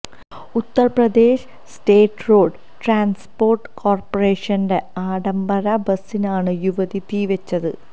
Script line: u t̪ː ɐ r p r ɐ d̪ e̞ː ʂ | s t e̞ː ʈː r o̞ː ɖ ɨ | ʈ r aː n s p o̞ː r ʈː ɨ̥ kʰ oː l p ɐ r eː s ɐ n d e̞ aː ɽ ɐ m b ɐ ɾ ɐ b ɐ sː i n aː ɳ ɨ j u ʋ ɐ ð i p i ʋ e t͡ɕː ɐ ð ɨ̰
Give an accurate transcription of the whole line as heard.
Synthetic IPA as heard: u t̪ː ɐ r p r ɐ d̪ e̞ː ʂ | s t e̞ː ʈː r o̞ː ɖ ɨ | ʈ r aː n s p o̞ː r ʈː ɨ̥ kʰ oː r p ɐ r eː ʂ ɐ n d e̞ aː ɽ ɐ m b ɐ ɾ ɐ b ɐ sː i n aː ɳ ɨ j u ʋ ɐ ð i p i ʋ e t͡ɕː ɐ ð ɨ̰